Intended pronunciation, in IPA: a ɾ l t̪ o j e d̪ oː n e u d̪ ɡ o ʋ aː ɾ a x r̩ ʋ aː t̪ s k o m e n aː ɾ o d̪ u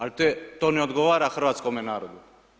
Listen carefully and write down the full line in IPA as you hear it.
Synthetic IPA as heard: a l t̪ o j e t̪ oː n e o d̪ ɡ o ʋ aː ɾ a x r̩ ʋ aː t̪ s k o m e n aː ɾ o d̪ u

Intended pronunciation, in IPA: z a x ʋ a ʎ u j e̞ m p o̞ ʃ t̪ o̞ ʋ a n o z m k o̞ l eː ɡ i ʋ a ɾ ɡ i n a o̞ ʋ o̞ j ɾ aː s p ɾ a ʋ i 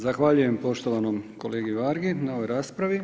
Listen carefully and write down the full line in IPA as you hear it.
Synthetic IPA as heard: z a x ʋ a ʎ u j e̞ m p o̞ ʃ t̪ o̞ ʋ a n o m k o̞ l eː ɡ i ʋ a ɾ ɡ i n a o̞ ʋ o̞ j ɾ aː s p ɾ a ʋ i

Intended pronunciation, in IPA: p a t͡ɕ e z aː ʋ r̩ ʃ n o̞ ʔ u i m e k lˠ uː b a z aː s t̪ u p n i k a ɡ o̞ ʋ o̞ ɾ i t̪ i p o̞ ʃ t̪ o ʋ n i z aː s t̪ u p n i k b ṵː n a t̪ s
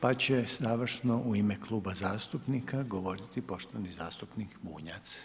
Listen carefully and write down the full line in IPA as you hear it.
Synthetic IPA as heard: p a t͡ɕ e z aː ʋ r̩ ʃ n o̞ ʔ u i m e k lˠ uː b a z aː s t̪ u p n i k a ɡ o̞ ʋ o̞ ɾ i t̪ i p o̞ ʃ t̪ o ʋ n i z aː s t̪ u p n i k b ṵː ɲ a t̪ s

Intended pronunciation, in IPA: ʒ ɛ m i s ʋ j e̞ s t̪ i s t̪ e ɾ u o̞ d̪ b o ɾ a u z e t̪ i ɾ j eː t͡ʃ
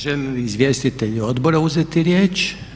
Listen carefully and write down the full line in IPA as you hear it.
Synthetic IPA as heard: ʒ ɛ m i z ʋ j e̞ s t̪ i t̪ e ʎ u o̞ d̪ b o ɾ a u z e t̪ i ɾ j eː t͡ʃ

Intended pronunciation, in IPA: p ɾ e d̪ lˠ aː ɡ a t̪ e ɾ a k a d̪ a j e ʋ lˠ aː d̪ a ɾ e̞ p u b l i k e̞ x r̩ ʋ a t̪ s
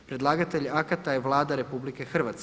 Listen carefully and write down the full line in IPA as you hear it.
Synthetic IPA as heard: p ɾ e d̪ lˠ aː ɡ a t̪ e ʎ a k a t̪ a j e ʋ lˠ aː d̪ a ɾ e̞ p u b l i k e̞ x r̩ ʋ a t̪ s

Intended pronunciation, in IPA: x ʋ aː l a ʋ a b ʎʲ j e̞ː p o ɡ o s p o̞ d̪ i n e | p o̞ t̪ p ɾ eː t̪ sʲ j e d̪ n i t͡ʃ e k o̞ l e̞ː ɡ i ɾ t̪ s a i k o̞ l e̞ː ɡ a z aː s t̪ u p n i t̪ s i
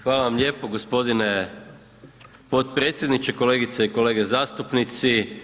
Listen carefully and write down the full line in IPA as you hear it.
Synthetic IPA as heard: x ʋ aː l a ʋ a m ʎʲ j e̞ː p o ɡ o s p o̞ d̪ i n e | p o̞ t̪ p ɾ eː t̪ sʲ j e d̪ n i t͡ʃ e k o̞ l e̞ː ɡ i t̪ s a i k o̞ l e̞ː ɡ e z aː s t̪ u p n i t̪ s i

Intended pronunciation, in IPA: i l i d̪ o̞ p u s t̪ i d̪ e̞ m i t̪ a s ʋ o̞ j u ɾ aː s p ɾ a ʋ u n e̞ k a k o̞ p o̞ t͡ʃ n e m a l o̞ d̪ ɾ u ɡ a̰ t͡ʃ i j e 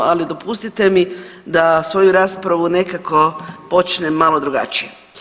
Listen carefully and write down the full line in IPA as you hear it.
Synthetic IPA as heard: a l i d̪ o̞ p u s t̪ i t̪ e̞ m i d̪ a s ʋ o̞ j u ɾ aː s p ɾ a ʋ u n e̞ k a k o̞ p o̞ t͡ʃ n e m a l o̞ d̪ ɾ u ɡ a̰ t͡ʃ i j e

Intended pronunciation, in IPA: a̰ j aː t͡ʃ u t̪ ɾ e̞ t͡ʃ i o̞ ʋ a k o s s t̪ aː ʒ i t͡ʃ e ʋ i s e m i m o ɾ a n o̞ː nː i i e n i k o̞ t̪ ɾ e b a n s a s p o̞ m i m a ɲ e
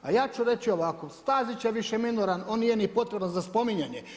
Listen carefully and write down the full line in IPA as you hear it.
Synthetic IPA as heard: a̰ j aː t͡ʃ u ɾ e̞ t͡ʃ i o̞ ʋ a k o s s t̪ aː z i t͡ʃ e ʋ i ʃ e m i n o ɾ a n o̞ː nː i j e n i p o̞ t̪ ɾ e b a n z a s p o̞ m i ɲ a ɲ e

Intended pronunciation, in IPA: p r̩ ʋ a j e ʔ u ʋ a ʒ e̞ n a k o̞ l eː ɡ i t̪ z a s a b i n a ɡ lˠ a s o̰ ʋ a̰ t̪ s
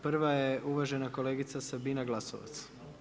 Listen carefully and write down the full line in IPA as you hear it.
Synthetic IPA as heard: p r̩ ʋ a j e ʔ u ʋ a ʒ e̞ n a k o̞ l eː ɡ i t̪ s a s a b i n a ɡ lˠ a s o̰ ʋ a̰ t̪ s

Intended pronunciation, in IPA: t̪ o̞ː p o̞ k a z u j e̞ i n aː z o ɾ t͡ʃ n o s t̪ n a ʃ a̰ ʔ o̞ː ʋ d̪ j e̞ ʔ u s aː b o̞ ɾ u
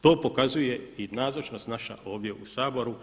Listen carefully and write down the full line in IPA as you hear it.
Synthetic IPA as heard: t̪ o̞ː p o̞ k a z u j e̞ i n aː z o t͡ʃ n o s t̪ n a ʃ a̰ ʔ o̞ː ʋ d̪ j e̞ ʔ u s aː b o̞ ɾ u

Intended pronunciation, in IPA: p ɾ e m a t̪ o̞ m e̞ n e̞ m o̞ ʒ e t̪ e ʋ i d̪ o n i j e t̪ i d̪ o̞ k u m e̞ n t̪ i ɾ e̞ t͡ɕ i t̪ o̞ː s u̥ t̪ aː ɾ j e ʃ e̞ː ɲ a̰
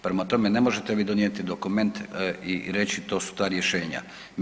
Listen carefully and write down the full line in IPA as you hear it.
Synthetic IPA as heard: p ɾ e m a t̪ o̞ m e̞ n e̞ m o̞ ʒ e t̪ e ʋ i d̪ o n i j e t̪ i d̪ o̞ k u m e̞ n t̪ i ɾ e̞ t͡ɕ i t̪ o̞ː s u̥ t̪ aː ɾ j e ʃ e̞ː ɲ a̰

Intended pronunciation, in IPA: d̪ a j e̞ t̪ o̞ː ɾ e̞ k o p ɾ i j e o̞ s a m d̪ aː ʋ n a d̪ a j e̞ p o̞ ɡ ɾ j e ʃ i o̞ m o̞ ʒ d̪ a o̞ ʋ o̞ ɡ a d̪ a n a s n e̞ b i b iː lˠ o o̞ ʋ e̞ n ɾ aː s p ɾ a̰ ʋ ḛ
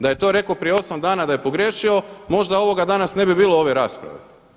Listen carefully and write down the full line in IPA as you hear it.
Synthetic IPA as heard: d̪ a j e̞ t̪ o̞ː ɾ e̞ k o p ɾ i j e o̞ s a m d̪ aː n a d̪ a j e̞ p o̞ ɡ ɾ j e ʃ i o̞ m o̞ ʒ d̪ a o̞ ʋ o̞ ɡ a d̪ a n a s n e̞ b i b iː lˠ o o̞ ʋ e̞ ɾ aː s p ɾ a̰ ʋ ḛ

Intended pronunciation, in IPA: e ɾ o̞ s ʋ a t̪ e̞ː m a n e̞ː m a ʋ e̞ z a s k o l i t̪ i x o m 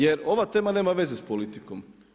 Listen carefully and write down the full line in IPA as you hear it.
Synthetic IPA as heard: e ɾ o̞ ʋ a t̪ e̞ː m a n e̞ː m a ʋ e̞ z e s p o l i t̪ i k o m

